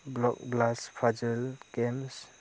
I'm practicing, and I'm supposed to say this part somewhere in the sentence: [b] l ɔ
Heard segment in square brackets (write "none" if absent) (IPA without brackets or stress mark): b